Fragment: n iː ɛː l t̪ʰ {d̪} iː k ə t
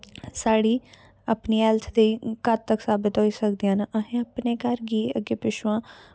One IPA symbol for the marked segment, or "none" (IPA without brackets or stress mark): d̪